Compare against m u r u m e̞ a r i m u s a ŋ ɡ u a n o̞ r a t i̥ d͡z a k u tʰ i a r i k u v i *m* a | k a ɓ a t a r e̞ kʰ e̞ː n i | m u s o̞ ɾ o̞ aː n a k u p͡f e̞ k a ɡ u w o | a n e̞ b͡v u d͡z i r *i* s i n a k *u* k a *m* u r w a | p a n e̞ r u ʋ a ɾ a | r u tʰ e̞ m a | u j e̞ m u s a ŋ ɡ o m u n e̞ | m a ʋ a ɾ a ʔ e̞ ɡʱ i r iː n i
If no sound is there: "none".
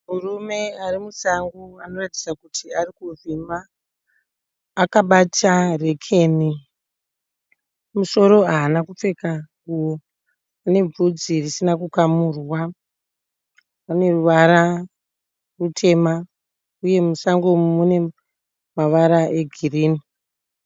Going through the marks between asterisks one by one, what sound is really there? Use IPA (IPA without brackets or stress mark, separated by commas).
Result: m, i, u, m